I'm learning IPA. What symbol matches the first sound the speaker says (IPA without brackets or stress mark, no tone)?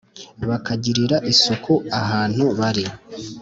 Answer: β